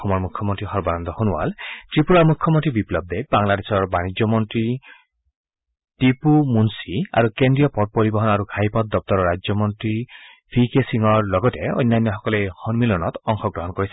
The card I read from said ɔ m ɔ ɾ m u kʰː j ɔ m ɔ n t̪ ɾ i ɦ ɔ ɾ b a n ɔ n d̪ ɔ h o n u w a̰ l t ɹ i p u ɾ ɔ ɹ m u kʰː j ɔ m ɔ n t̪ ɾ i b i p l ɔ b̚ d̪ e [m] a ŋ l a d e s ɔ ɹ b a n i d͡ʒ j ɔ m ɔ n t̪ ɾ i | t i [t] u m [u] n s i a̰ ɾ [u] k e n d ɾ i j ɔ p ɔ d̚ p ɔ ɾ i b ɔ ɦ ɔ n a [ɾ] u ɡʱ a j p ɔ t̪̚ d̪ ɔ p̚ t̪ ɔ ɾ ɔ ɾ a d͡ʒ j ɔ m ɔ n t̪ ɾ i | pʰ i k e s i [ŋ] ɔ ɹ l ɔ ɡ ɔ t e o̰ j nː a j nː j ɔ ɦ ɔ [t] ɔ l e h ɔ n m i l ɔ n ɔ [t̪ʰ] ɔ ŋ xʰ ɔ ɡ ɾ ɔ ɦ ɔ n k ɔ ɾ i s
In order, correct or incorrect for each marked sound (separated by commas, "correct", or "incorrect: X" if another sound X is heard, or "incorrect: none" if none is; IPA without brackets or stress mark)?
incorrect: b, incorrect: p, correct, correct, correct, correct, incorrect: k, incorrect: t̪